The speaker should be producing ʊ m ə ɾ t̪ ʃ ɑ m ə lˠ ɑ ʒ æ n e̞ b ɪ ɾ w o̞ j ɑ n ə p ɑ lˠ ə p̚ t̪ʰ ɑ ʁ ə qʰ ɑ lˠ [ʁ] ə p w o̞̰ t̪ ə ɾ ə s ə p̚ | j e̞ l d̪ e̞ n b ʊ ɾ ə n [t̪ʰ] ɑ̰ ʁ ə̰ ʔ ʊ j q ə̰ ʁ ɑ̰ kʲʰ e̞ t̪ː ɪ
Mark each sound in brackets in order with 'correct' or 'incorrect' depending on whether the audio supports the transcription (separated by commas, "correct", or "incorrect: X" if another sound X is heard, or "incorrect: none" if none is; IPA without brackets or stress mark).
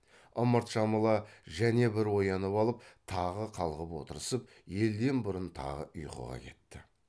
correct, correct